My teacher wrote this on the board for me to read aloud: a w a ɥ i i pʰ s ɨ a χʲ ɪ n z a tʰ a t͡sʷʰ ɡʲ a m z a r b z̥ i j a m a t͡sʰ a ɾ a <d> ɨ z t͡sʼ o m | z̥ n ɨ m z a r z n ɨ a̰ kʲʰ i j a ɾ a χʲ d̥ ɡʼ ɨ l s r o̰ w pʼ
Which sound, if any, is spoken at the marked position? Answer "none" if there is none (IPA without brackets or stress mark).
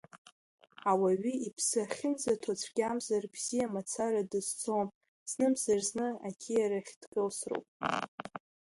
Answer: d